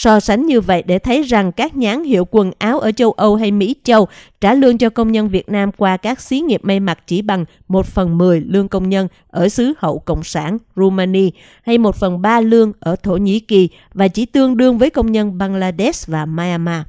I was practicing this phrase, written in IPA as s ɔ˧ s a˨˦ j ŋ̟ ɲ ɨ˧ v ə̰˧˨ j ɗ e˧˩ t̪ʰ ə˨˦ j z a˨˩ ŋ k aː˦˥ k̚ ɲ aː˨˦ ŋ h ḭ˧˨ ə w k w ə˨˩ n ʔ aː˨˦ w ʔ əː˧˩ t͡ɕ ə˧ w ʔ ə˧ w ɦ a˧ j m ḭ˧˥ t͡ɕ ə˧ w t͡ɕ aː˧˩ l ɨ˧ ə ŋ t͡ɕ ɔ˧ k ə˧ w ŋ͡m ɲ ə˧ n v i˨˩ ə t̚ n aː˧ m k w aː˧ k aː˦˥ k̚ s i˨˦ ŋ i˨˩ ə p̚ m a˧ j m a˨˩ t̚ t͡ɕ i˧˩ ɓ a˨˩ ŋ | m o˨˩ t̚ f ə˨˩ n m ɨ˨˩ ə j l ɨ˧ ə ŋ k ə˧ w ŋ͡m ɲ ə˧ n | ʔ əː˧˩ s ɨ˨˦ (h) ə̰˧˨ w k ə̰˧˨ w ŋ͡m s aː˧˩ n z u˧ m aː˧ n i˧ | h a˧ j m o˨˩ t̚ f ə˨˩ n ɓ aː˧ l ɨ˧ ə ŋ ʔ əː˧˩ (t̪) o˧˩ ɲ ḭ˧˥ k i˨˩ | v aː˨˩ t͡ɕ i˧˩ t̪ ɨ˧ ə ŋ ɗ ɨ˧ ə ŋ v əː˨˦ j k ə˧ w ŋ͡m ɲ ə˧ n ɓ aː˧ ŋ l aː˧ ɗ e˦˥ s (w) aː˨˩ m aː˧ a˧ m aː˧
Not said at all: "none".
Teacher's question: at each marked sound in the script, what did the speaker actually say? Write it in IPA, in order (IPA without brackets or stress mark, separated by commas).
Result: h, t̪ʰ, v